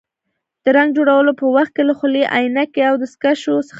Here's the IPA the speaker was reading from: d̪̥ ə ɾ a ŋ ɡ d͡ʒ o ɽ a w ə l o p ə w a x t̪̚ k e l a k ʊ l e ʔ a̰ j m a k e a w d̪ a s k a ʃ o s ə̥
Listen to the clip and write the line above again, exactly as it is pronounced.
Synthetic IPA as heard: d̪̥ ə ɾ a ŋ ɡ d͡ʒ o ɽ a w ə l o p ə w a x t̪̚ k e l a x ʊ l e ʔ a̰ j n a k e a w d̪ ə s k a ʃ o s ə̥

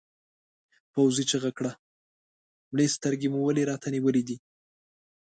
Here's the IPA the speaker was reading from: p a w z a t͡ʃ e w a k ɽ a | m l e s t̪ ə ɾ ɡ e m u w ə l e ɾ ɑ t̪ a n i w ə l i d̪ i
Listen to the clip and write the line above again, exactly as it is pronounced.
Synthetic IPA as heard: p a w z i t͡ʃ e ɣ a k ɽ a | m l e s t̪ ə ɾ ɡ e m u w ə l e ɾ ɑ t̪ a n i w ə l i d̪ i

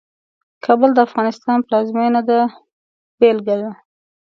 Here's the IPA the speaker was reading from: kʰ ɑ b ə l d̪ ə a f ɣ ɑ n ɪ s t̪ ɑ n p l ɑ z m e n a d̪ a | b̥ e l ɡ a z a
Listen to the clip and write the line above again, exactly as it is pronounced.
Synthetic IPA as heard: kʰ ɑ b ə l d̪ ə a f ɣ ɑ n ɪ s t̪ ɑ n p l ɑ z m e n a d̪ a | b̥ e l ɡ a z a

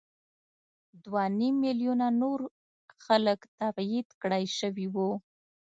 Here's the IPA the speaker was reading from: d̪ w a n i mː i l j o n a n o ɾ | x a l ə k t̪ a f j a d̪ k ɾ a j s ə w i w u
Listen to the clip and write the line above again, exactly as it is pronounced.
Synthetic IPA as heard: d̪ w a n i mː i l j u n a n o ɾ | x a l ə k t̪ a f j i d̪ k ɽ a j ʃ ə w i w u

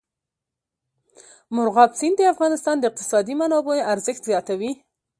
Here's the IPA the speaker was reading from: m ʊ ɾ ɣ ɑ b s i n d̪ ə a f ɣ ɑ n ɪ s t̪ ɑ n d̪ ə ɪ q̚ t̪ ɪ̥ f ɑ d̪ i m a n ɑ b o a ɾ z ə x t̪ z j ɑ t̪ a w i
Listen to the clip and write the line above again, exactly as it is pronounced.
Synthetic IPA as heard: m ʊ ɾ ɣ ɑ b s i n d̪ ə a f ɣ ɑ n ɪ s t̪ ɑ n d̪ ə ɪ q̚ t̪ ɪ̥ s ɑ d̪ i m a n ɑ b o a ɾ z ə x t̪ z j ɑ t̪ a w i

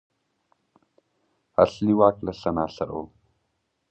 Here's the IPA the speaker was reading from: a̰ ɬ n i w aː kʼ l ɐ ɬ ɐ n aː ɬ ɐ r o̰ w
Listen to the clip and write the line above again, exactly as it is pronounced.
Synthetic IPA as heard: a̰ ɬ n i w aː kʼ l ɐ ɬ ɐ n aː ɬ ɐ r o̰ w

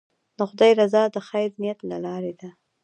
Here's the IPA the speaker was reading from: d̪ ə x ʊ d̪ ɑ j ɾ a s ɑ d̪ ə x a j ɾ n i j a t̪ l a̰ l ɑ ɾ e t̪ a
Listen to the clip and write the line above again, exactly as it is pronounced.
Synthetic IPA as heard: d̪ ə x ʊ d̪ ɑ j ɾ a z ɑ d̪ ə x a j ɾ n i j a t̪ l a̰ l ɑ ɾ e d̪ a

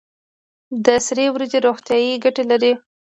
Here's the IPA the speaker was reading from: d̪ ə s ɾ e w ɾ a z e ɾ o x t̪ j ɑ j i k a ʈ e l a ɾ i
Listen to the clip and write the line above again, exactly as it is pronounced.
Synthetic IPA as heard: d̪ ə s ɾ e w ɾ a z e ɾ o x t̪ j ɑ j i ɡ a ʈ e l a ɾ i

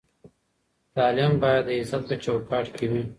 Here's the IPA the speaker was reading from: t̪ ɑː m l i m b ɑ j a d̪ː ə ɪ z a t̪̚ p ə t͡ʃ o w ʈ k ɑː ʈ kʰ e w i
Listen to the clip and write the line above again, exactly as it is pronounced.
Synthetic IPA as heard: t̪ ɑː l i m b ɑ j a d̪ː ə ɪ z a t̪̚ p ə t͡ʃ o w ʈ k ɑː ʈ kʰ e w i

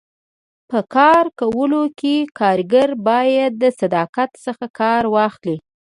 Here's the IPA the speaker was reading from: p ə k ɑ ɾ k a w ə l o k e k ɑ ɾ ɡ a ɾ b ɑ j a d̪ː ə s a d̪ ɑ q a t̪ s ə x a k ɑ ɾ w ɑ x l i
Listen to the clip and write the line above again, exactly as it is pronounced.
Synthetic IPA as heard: p ə k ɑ ɾ k a w ə l o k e k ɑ ɾ ɡ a ɾ b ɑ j a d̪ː ə s a d̪ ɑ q a t̪ s ə x a k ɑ ɾ w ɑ x l i

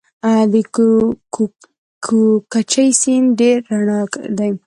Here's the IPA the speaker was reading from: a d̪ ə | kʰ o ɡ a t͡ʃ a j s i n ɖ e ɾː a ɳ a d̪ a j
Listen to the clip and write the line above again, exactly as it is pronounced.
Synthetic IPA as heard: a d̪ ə | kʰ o k a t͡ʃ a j s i n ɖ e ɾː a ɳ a d̪ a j

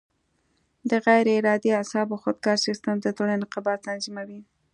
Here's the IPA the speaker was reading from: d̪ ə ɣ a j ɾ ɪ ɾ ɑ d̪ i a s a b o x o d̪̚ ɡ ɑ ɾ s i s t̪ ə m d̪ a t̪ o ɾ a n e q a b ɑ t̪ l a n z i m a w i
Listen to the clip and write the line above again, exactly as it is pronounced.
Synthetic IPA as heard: d̪ ə ɣ a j ɾ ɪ ɾ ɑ d̪ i a s ɑ b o x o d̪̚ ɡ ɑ ɾ s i s t̪ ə m d̪ ə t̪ o l a n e q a b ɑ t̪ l a n z i m a w i

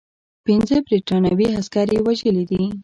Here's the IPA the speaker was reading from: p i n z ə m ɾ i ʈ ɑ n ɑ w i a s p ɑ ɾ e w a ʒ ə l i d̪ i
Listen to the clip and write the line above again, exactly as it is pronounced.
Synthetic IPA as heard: p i n z ə b ɾ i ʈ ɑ n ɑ w i a s k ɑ ɾ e w a ʒ ə l i d̪ i

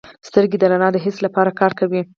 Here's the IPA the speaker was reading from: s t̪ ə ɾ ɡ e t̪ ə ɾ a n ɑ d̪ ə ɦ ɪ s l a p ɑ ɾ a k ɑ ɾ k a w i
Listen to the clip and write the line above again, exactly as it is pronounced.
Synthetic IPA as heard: s t̪ ə ɾ ɡ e d̪ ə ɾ a n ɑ d̪ ə ɦ ɪ s l a p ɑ ɾ a k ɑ ɾ k a w i

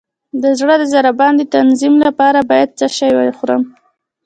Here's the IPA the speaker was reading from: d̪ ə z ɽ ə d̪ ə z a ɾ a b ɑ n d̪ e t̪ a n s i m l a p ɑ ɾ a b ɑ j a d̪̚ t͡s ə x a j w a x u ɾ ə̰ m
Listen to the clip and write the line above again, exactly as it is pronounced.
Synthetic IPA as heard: d̪ ə z ɽ ə d̪ ə z a ɾ a b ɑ n d̪ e t̪ a n z i m l a p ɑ ɾ a b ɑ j a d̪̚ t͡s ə ʃ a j w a x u ɾ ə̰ m

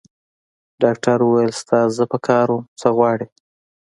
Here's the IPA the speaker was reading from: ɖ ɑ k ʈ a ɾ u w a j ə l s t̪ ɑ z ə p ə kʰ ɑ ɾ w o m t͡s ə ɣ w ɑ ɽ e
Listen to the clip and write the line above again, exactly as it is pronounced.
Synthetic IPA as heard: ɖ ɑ k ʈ a ɾ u w a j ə l s t̪ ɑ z ə p ə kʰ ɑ ɾ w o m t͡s ə ɣ w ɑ ɽ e

